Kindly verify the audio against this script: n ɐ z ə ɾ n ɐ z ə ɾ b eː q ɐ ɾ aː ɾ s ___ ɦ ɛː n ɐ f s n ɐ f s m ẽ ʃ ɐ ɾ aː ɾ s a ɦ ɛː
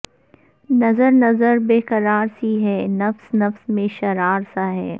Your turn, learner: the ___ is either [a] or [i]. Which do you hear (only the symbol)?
i